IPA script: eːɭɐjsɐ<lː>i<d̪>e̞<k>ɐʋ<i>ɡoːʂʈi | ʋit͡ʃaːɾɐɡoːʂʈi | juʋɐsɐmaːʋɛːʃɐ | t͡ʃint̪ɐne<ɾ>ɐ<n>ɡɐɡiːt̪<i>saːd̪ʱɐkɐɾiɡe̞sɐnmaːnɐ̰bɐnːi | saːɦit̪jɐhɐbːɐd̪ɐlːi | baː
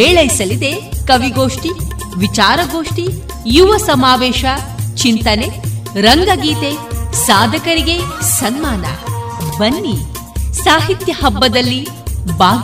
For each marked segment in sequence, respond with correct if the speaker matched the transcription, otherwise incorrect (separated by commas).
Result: incorrect, correct, correct, correct, correct, incorrect, incorrect